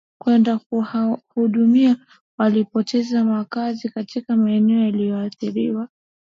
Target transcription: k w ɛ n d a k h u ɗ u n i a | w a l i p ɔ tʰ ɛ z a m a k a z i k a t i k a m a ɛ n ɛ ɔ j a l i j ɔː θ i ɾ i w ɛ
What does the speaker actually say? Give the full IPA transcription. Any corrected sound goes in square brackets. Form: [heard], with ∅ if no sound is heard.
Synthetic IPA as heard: k w ɛ n d a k h u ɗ u [m] i a | w a l i p ɔ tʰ ɛ z a m a k a z i k a t i k a m a ɛ n ɛ ɔ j a l i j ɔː θ i ɾ i w [a]